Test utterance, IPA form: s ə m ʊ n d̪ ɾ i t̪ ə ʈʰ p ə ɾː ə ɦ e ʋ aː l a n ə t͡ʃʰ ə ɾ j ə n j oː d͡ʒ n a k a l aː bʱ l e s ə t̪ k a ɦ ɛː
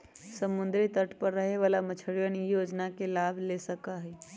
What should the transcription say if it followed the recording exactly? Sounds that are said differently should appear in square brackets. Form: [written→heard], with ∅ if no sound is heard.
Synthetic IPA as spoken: s ə m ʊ n d̪ ɾ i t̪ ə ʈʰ p ə ɾː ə ɦ e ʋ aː l a [n→m] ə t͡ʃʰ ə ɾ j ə n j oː d͡ʒ n a k [a→e] l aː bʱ l e s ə [t̪→∅] k a ɦ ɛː